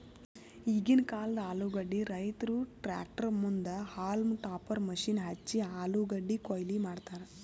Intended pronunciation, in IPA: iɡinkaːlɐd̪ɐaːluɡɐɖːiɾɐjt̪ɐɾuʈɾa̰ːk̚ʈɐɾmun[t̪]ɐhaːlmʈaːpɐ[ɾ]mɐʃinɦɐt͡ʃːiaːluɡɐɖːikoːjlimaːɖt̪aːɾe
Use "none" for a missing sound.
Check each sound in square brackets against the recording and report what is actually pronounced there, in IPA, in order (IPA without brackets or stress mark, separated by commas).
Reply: d̪, ɾ